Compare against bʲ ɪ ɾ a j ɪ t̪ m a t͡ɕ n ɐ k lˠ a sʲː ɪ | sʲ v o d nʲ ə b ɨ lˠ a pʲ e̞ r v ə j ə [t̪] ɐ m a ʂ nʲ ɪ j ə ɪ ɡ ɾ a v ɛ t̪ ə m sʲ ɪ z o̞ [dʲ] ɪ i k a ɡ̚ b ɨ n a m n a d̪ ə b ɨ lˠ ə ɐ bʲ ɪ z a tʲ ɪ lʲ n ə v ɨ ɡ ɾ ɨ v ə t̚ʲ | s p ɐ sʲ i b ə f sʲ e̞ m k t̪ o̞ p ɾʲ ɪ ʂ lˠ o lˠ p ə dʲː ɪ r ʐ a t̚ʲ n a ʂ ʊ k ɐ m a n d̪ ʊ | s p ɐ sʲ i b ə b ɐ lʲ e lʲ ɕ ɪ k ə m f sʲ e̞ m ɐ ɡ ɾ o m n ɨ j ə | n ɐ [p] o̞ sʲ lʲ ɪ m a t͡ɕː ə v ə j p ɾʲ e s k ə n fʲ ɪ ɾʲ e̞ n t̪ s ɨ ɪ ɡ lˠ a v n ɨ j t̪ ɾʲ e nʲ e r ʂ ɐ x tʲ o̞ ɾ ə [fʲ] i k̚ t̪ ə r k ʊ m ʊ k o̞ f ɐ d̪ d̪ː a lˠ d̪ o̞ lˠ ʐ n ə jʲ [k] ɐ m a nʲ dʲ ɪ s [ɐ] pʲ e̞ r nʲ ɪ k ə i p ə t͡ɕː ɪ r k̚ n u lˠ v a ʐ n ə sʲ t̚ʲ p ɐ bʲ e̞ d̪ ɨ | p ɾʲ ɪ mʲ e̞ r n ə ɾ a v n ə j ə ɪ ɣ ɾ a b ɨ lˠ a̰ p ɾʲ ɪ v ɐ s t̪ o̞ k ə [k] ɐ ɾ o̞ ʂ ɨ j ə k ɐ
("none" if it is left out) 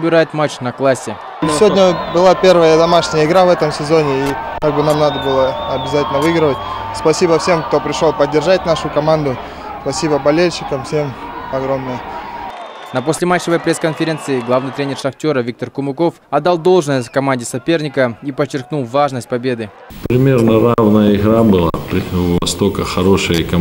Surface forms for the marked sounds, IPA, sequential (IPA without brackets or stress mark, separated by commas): d̪, nʲ, p, vʲ, k, ɐ, x